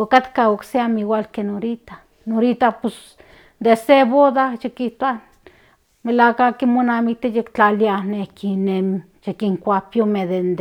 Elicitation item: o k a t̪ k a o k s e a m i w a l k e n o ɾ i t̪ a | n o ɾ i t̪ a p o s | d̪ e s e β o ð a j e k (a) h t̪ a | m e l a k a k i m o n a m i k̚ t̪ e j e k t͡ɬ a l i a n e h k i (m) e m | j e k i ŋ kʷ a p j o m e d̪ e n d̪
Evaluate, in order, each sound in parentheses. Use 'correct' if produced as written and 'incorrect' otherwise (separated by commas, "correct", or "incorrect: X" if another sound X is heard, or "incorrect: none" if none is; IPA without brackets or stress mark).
incorrect: i, incorrect: n